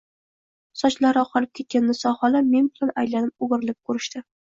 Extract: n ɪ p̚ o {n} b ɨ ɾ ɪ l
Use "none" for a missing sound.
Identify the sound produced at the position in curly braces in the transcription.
none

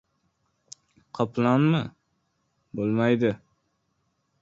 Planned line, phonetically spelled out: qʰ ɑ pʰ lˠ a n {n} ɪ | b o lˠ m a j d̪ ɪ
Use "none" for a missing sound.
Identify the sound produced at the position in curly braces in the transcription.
m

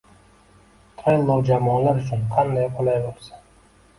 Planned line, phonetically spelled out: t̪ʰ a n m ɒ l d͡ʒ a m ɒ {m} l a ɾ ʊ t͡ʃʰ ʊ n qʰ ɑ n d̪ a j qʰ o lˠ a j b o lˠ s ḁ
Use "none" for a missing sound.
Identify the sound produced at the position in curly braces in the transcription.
n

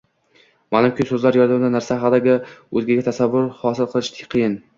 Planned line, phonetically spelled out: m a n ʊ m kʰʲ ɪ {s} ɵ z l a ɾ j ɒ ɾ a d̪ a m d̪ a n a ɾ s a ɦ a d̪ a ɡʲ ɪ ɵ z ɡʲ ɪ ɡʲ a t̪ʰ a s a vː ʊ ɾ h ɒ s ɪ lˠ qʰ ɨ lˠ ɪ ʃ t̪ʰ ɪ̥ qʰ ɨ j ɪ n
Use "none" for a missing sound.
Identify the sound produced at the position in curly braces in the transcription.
s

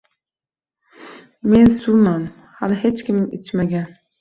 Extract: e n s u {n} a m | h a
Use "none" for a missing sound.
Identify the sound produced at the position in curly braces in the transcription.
m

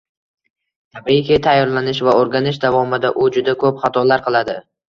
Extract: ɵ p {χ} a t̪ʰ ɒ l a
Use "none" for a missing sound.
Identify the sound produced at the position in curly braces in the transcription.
χ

